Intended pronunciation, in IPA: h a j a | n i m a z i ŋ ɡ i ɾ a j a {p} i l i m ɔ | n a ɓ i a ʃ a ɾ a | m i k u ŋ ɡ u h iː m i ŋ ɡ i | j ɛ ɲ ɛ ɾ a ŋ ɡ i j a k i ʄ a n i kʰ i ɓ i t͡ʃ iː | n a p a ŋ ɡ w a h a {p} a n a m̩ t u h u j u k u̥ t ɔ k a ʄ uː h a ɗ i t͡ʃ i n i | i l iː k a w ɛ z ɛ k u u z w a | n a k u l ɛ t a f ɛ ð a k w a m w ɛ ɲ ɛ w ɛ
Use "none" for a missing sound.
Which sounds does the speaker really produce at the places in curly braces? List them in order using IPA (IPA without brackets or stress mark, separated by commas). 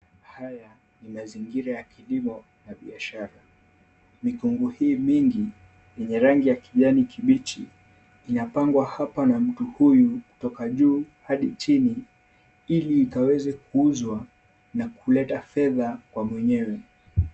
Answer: k, p